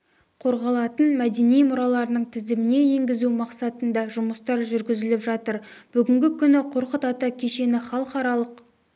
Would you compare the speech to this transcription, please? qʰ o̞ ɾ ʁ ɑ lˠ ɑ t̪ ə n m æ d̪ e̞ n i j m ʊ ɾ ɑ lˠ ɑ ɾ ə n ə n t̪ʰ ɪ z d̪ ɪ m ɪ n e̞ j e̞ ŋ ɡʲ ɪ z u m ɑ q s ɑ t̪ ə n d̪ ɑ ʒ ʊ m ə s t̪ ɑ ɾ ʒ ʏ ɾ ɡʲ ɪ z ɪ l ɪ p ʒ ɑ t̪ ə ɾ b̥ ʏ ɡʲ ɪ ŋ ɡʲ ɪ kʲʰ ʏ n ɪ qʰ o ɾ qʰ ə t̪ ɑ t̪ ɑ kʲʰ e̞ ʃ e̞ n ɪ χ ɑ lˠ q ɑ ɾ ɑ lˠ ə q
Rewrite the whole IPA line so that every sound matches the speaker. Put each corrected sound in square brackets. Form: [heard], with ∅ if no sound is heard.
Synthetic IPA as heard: qʰ o̞ ɾ ʁ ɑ lˠ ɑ t̪ ə n m æ d̪ e̞ n i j m ʊ ɾ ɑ lˠ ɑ ɾ ə n ə [ɴ] t̪ʰ ɪ z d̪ ɪ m ɪ n e̞ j e̞ ŋ ɡʲ ɪ z u m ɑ q s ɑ t̪ ə n d̪ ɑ ʒ ʊ m ə s t̪ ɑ ɾ ʒ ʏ ɾ ɡʲ ɪ z ɪ l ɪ p ʒ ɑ t̪ ə ɾ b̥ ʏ ɡʲ ɪ ŋ ɡʲ ɪ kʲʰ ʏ n ɪ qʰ o ɾ [q] ə t̪ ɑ t̪ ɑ kʲʰ e̞ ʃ e̞ n ɪ χ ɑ lˠ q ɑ ɾ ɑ lˠ ə q